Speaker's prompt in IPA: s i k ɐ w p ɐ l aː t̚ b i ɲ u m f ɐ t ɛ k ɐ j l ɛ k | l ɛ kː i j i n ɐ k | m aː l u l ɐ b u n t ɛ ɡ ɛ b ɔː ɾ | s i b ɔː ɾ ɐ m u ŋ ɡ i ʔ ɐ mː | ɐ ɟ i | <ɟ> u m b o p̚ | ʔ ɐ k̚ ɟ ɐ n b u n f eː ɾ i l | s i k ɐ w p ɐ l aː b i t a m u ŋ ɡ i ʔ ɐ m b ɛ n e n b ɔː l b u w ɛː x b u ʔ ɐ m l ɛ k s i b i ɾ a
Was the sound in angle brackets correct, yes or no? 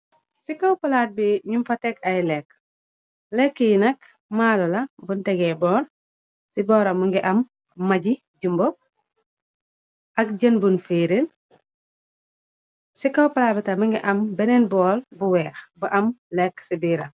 yes